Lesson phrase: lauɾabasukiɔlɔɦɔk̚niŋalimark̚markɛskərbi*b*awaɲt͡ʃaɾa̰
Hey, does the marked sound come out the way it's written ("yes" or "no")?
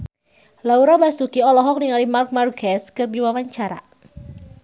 no